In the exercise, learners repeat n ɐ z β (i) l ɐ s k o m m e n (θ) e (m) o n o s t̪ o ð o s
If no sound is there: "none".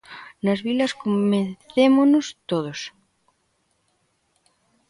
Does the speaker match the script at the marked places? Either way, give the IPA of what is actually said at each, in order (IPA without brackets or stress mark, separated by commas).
i, θ, m